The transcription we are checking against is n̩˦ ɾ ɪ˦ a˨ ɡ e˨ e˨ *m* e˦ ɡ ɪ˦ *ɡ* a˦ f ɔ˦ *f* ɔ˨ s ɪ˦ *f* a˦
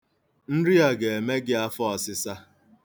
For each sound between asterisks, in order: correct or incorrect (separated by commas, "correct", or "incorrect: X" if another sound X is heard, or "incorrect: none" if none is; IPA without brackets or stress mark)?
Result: correct, incorrect: none, incorrect: none, incorrect: s